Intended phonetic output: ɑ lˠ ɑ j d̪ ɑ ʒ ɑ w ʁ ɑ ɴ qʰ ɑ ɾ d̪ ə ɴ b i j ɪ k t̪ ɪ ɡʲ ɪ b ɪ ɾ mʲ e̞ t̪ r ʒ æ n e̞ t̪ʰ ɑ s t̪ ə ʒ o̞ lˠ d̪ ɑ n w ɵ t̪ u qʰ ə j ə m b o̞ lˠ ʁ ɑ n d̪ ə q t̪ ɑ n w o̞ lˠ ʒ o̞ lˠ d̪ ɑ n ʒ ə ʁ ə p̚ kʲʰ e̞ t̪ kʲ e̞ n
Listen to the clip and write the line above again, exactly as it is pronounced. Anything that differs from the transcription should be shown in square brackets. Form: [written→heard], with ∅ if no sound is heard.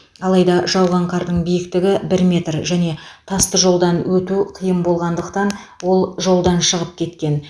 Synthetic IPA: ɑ lˠ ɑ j d̪ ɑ ʒ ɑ w ʁ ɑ ɴ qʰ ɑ ɾ d̪ ə ɴ b i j ɪ k t̪ ɪ ɡʲ ɪ b ɪ ɾ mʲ e̞ t̪ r ʒ æ n e̞ t̪ʰ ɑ s t̪ ə ʒ o̞ lˠ d̪ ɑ n w ɵ t̪ u qʰ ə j ə m b o̞ lˠ ʁ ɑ n d̪ ə q t̪ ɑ n w o̞ lˠ ʒ o̞ lˠ d̪ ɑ n [ʒ→ʃ] ə ʁ ə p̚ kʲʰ e̞ t̪ kʲ e̞ n